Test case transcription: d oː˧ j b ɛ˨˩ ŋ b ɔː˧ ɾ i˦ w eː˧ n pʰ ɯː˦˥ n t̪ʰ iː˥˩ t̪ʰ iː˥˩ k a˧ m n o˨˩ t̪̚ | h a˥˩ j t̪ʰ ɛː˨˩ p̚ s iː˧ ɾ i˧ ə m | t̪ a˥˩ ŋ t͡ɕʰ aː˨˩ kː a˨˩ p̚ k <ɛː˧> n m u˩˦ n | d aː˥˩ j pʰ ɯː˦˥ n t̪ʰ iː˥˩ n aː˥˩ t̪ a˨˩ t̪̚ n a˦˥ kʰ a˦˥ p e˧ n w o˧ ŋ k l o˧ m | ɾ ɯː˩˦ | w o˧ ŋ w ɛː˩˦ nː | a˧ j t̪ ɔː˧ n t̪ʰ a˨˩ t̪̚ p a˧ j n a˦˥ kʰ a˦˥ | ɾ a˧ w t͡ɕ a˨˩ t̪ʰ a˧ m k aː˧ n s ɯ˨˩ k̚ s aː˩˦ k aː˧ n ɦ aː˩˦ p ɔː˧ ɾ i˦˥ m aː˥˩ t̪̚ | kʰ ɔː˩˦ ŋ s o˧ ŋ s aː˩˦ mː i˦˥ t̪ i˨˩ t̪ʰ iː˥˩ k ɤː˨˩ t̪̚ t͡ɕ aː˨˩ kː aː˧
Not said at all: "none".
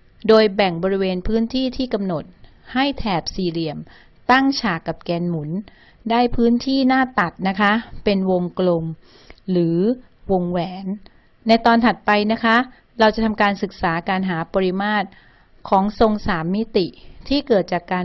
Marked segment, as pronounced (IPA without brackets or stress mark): ɛː˧